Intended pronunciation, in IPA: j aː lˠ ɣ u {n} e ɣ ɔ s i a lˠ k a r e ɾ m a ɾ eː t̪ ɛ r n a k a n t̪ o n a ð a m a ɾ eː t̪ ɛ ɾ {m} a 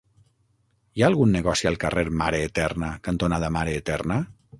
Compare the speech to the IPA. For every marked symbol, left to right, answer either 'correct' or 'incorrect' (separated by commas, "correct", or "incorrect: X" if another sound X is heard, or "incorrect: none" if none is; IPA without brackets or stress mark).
incorrect: nː, incorrect: n